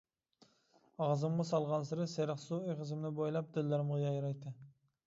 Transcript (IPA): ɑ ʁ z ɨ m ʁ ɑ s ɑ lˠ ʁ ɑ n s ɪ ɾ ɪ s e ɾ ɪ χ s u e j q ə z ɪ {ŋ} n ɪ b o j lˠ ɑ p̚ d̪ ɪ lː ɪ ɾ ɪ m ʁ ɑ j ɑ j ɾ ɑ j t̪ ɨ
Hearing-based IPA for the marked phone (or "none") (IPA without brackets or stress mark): m